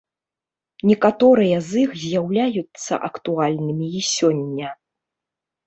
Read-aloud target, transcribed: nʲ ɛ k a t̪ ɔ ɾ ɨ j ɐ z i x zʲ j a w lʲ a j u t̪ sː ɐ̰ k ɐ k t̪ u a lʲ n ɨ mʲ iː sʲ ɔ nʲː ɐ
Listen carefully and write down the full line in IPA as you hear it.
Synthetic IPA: nʲ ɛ k a t̪ ɔ ɾ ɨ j ɐ z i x zʲ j a w lʲ a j u t̪ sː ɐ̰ ʔ ɐ k t̪ u a lʲ n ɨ mʲ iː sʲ ɔ nʲː ɐ